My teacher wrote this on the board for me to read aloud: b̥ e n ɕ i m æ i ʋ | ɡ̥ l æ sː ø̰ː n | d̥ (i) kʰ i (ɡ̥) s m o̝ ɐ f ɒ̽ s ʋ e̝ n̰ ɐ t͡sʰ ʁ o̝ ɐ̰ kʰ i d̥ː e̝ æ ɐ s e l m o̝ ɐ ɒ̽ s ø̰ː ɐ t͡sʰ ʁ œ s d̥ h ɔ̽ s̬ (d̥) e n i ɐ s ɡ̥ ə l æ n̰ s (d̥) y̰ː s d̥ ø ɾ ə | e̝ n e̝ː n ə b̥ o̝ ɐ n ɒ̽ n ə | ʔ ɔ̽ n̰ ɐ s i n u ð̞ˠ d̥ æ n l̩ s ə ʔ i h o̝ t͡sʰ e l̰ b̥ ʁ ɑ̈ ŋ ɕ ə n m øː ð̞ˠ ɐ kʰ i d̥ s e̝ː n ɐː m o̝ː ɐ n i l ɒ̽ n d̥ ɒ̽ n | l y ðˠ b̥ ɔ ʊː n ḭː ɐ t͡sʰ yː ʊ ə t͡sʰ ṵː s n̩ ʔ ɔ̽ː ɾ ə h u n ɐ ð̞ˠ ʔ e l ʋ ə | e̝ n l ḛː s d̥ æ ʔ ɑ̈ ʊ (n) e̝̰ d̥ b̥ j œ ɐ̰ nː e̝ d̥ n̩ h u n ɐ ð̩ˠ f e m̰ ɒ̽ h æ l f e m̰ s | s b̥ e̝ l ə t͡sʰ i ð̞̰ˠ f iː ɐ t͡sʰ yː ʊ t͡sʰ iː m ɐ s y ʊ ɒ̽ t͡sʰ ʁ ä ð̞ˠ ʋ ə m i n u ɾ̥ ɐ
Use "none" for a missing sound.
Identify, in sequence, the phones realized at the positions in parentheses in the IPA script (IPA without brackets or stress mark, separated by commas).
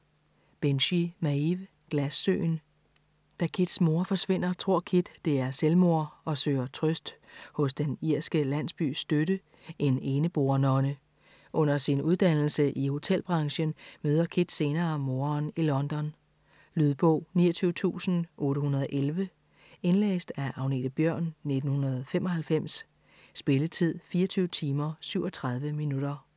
æ, d̥, d̥, b̥, n